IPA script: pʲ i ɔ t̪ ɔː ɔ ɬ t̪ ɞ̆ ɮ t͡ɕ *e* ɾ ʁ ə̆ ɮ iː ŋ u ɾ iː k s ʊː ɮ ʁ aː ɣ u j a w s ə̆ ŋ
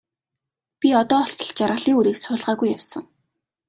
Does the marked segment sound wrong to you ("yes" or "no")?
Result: yes